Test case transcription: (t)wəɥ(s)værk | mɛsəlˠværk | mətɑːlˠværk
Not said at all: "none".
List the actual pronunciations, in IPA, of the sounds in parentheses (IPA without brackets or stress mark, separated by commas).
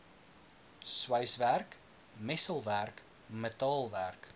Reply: s, s